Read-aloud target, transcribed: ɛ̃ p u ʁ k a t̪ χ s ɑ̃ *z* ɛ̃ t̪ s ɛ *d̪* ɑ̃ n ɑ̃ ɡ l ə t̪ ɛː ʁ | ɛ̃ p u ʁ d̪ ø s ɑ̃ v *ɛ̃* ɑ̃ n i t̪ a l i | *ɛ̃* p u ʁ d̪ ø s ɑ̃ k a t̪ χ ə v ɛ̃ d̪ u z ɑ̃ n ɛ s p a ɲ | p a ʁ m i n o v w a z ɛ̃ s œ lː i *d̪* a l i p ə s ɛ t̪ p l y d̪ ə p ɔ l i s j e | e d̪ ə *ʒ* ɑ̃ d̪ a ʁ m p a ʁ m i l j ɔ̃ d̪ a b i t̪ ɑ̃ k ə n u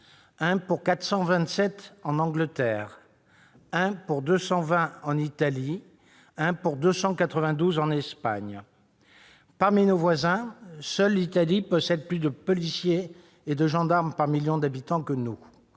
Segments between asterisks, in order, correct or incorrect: incorrect: v, incorrect: t̪, correct, correct, incorrect: t̪, correct

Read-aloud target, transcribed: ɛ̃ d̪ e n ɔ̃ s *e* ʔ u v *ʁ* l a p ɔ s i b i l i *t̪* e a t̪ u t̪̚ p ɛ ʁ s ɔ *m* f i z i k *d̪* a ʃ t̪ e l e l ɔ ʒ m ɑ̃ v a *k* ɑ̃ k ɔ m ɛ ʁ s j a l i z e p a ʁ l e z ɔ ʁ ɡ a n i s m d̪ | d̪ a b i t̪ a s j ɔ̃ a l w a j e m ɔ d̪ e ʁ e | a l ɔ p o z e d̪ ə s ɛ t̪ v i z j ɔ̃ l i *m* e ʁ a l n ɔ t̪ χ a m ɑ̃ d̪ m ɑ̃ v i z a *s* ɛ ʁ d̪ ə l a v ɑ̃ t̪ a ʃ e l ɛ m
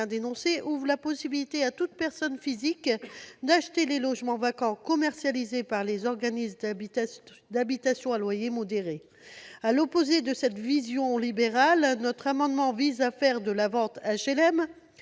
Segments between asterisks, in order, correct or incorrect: correct, correct, correct, incorrect: n, correct, correct, incorrect: b, incorrect: f

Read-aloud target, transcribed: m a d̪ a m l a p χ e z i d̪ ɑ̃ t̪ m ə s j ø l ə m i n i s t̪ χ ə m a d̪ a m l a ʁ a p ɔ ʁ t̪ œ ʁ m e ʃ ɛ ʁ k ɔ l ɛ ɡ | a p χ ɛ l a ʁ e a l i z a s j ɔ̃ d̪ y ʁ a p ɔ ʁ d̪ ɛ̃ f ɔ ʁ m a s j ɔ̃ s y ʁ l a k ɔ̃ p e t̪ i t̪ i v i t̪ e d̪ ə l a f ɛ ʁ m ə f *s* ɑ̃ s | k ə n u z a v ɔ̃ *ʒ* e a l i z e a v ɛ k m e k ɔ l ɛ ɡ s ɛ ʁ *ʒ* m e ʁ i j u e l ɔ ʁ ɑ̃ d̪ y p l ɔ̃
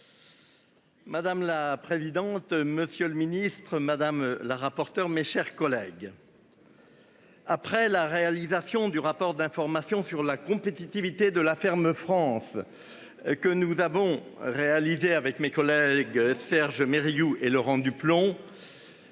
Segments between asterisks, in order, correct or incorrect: incorrect: χ, incorrect: ʁ, correct

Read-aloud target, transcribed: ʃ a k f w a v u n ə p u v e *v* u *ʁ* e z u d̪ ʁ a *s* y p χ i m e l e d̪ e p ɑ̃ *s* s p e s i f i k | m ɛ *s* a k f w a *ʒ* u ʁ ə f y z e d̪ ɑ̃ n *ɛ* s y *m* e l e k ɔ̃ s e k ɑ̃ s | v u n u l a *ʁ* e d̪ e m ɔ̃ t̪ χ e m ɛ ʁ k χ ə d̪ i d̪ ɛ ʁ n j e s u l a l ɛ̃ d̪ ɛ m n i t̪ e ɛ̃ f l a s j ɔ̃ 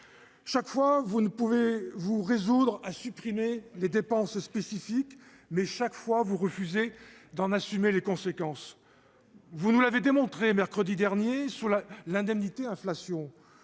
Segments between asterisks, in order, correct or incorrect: correct, correct, correct, correct, incorrect: ʃ, incorrect: v, incorrect: a, correct, incorrect: v

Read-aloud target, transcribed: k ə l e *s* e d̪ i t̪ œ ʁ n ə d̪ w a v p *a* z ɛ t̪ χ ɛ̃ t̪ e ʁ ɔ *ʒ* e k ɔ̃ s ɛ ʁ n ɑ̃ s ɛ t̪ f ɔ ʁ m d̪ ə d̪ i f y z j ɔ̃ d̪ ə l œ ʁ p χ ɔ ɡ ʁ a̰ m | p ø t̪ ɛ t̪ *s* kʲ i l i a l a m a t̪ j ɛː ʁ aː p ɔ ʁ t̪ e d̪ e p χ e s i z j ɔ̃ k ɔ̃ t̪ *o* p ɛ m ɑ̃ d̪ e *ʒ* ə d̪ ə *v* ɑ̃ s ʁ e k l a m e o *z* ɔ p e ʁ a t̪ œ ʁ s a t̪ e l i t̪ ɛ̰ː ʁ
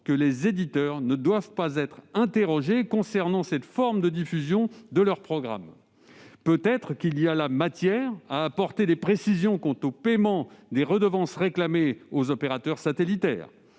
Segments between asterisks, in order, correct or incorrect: incorrect: z, correct, correct, incorrect: χ, correct, incorrect: ʁ, correct, correct

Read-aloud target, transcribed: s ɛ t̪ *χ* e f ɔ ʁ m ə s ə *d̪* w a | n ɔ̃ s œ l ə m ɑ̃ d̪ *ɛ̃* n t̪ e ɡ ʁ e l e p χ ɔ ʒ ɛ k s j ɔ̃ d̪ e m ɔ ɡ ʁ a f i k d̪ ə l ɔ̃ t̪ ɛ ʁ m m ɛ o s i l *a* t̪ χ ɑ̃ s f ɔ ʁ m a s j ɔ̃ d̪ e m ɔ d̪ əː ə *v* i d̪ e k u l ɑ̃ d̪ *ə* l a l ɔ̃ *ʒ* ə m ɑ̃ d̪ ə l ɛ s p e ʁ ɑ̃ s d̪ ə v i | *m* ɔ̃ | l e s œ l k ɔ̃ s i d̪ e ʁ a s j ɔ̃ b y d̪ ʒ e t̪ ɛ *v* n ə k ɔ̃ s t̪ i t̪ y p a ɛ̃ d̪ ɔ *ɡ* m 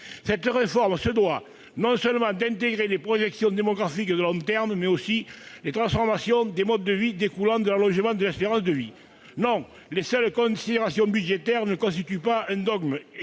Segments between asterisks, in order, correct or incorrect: incorrect: ʁ, correct, correct, incorrect: e, correct, correct, correct, incorrect: n, incorrect: ʁ, correct

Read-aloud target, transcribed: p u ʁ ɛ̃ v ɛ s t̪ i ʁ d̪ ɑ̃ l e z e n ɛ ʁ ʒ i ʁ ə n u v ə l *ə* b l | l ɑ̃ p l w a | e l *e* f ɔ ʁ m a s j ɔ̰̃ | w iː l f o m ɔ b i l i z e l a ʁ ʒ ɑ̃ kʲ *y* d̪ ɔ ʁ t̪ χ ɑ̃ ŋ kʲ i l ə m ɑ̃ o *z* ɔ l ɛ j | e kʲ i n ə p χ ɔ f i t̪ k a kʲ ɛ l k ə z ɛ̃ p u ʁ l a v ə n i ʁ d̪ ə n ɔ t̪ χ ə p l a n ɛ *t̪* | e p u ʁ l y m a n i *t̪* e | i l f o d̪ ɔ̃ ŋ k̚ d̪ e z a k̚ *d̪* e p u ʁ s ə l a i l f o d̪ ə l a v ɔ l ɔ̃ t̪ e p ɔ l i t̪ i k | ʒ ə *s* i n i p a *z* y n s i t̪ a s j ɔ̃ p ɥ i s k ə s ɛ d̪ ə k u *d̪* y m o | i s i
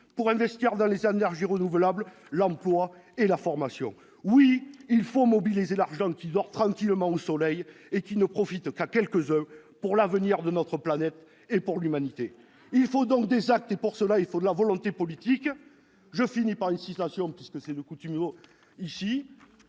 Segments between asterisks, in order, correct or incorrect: incorrect: a, incorrect: a, incorrect: i, incorrect: s, correct, correct, incorrect: t̪, incorrect: f, incorrect: ʁ, incorrect: t̪

